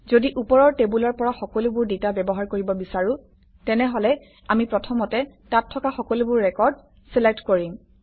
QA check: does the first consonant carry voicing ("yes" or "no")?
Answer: yes